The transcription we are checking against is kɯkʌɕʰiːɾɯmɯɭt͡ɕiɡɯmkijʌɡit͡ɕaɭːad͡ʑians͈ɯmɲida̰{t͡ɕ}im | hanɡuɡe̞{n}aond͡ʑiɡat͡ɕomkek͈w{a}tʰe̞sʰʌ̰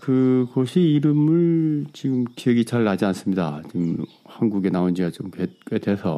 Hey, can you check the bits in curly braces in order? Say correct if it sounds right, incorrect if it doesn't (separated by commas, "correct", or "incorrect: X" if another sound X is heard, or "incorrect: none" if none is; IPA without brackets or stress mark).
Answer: correct, correct, incorrect: e